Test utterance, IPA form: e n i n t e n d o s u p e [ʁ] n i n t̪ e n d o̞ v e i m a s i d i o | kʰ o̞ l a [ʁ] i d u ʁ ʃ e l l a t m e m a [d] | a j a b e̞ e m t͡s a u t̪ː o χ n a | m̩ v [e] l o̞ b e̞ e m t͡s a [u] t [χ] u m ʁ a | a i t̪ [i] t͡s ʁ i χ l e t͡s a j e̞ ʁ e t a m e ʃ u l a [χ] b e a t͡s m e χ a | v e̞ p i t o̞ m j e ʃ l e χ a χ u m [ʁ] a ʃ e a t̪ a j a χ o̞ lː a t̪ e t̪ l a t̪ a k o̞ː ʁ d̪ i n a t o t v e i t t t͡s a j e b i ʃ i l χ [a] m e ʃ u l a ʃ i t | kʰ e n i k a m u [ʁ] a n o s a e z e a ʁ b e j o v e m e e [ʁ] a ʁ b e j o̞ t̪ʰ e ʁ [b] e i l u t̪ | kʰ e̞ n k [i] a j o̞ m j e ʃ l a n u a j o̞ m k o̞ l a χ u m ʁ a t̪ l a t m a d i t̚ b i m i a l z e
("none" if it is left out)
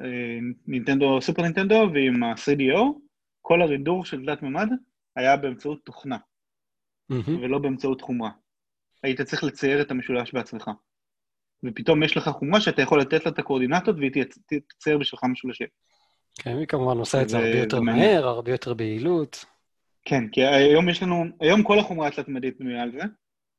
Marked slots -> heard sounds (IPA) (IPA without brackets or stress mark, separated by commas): ʁ, ʁ, d, e, u, χ, a, ʃ, ʁ, a, v, ʁ, b, i